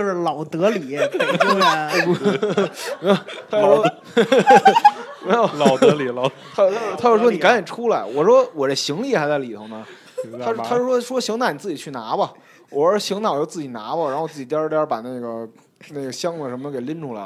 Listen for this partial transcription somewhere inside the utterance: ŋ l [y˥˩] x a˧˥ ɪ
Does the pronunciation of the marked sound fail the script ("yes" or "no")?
yes